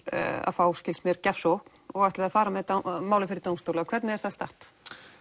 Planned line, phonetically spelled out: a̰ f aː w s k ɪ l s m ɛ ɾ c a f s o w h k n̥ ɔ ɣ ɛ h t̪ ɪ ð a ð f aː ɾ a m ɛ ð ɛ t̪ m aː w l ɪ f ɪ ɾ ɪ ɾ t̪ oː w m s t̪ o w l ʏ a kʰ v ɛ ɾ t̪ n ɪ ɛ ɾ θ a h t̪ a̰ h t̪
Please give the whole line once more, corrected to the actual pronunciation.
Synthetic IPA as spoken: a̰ f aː w s c ɪ l s m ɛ ɾ c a f s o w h k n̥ ɔ ɣ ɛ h t̪ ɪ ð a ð f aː ɾ a m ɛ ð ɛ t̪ m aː w l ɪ f ɪ ɾ ɪ ɾ t̪ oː w m s t̪ o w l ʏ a kʰ v ɛ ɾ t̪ n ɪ ɛ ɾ θ a s t̪ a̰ h t̪